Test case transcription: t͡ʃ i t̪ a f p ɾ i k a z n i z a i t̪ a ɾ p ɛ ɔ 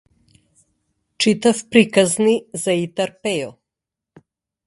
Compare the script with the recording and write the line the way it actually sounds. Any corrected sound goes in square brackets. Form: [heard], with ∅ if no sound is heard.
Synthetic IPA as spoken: t͡ʃ i t̪ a f p ɾ i k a z n i z a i t̪ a ɾ p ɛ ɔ